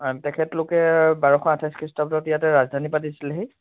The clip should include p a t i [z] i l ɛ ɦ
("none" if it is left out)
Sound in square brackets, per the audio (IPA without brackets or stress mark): s